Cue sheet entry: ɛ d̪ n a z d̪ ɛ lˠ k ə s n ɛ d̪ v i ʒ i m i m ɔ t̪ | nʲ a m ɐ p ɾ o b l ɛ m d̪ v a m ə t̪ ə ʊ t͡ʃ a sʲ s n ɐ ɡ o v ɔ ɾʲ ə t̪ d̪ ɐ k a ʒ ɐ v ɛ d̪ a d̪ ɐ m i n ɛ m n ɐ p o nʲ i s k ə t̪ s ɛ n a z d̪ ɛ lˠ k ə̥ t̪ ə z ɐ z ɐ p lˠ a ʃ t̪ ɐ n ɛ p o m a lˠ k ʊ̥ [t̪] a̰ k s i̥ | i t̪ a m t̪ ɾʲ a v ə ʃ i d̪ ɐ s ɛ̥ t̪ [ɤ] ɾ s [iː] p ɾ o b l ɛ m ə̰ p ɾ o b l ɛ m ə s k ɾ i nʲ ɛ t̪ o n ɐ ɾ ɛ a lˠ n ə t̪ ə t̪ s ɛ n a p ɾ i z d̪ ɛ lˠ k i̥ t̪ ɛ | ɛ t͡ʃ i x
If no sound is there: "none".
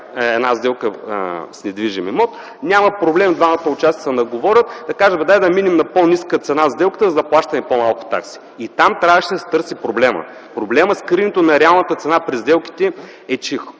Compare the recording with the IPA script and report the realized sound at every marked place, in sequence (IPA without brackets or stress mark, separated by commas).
t̪, ɤ, i